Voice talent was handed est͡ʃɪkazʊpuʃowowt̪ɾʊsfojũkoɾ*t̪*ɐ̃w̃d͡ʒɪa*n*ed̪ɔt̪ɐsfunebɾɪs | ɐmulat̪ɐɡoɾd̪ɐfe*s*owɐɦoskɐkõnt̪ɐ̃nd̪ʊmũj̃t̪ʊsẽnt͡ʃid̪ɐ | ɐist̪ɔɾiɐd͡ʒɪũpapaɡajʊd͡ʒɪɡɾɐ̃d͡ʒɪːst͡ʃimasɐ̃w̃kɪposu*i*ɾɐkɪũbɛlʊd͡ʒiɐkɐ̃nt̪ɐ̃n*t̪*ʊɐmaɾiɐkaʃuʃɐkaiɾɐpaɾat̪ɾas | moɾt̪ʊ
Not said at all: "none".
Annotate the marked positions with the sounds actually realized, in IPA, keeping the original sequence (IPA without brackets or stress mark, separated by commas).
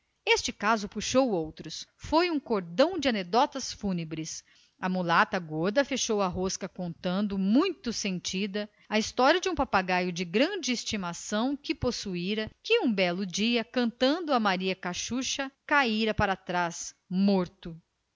d̪, n, ʃ, i, d̪